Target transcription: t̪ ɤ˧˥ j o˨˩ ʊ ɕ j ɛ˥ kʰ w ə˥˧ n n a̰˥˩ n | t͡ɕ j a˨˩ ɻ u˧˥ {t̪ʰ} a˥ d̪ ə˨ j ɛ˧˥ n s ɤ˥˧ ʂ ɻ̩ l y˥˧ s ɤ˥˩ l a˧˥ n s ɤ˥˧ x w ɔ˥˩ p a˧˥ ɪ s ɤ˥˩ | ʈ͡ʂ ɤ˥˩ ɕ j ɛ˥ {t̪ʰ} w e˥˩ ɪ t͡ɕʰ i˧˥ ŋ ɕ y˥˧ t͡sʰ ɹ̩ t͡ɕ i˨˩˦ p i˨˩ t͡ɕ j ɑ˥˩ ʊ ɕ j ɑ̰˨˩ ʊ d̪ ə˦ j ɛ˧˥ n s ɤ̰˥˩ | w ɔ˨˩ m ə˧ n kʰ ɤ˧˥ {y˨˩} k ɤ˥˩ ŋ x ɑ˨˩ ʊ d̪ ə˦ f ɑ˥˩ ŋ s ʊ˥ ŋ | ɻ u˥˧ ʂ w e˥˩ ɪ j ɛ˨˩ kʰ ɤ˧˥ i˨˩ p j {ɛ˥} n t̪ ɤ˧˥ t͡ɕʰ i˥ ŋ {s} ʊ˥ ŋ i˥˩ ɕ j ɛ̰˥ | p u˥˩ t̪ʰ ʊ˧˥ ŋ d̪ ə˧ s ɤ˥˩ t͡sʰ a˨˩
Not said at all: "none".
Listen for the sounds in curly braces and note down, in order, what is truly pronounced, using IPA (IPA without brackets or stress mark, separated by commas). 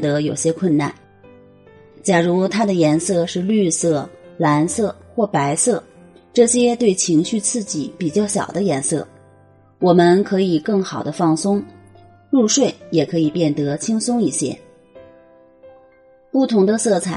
t̪ʰ, t̪, i˨˩, ɛ˥˩, s